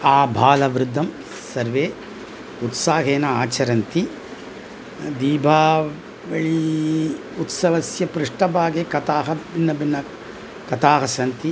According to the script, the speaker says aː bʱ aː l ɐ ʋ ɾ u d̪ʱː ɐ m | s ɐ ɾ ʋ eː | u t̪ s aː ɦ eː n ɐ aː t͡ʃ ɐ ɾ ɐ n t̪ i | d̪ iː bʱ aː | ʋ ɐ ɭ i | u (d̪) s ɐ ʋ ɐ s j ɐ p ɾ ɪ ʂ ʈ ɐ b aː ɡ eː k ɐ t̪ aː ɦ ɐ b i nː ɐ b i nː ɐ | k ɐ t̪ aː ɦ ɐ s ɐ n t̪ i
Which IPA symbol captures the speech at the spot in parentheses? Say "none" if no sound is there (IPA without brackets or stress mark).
t̪